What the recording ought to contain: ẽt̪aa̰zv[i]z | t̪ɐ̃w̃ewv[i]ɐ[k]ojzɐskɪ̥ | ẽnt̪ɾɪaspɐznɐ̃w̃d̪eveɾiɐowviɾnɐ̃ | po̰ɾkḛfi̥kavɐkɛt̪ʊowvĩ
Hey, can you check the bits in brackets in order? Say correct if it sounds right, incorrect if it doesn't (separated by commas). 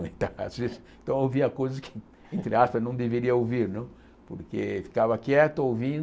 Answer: incorrect, correct, correct